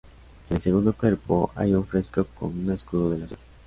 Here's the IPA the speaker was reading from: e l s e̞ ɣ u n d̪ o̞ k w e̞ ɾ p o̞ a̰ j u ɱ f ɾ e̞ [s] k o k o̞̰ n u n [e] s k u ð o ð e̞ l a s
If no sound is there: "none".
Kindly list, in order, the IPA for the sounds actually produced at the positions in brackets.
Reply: s, e

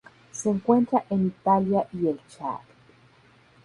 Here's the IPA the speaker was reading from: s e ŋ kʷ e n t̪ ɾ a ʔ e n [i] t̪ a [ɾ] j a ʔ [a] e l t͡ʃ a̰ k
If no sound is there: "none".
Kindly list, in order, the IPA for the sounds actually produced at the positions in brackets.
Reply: i, l, i

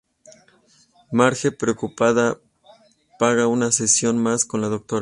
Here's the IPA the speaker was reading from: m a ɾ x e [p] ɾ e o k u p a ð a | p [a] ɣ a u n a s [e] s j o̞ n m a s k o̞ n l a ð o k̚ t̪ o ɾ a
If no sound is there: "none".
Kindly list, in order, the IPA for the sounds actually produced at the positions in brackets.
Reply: p, a, e

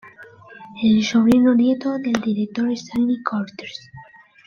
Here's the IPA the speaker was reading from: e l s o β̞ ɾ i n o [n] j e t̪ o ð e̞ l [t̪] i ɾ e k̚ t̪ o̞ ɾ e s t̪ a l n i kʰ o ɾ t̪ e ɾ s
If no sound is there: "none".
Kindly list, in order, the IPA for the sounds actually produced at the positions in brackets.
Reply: n, d̪

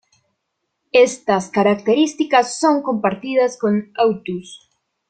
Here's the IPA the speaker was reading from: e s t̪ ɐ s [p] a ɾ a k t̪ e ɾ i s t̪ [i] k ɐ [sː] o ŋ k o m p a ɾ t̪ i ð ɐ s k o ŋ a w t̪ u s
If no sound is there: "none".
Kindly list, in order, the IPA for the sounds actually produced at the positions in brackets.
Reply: k, i, sː

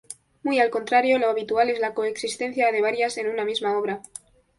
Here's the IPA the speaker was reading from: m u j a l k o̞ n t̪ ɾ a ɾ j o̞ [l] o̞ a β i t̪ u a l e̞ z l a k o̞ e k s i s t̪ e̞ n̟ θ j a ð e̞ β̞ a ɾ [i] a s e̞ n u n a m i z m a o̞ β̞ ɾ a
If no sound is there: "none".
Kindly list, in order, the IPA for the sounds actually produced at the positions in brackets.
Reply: l, j

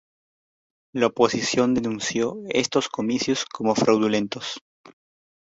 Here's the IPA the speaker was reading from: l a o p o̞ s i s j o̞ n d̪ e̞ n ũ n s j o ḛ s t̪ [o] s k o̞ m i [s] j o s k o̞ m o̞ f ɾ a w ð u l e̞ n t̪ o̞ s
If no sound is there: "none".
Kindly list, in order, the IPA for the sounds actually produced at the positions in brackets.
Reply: o, s

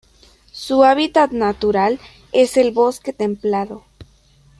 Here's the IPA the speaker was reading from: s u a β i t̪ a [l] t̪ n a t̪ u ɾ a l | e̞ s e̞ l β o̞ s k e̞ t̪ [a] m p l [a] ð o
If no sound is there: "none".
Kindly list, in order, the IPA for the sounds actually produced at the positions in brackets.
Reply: none, e, a

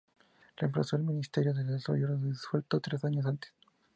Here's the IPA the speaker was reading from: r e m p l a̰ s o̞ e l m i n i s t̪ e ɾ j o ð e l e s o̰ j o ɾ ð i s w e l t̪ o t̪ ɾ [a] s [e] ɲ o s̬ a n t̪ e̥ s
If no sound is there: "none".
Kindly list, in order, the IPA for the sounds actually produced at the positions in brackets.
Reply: e, a

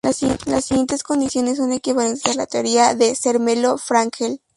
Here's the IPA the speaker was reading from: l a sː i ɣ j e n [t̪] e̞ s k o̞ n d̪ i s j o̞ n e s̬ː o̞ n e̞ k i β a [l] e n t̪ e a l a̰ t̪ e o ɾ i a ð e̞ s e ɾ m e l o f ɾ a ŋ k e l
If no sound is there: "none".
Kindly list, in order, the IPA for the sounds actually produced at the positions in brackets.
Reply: t̪, l

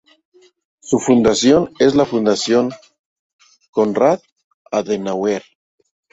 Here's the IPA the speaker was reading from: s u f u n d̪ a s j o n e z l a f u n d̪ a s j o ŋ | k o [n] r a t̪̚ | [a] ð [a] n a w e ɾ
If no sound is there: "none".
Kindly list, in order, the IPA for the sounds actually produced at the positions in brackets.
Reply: n, a, e

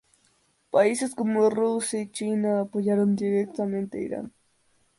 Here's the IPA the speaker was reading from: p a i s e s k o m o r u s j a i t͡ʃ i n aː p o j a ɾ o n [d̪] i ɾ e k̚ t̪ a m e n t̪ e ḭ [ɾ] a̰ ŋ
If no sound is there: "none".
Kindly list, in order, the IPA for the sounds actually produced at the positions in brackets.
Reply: d̪, ɾ

